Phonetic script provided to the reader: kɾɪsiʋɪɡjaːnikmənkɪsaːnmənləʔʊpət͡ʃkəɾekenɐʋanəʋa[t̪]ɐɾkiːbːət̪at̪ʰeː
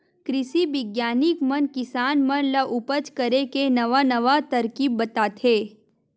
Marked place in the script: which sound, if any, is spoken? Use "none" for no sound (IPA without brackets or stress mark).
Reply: t̪